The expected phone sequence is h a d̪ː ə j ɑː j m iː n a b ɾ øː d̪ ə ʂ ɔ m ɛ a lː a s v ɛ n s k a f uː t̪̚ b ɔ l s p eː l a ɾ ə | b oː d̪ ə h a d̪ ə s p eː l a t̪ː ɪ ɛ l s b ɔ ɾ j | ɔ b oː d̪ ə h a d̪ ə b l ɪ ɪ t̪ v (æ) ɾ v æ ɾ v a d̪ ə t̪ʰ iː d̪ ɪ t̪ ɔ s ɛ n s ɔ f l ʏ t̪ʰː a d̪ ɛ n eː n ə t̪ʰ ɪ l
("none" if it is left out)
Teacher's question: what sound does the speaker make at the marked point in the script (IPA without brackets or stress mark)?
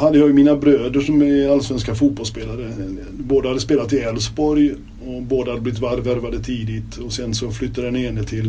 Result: a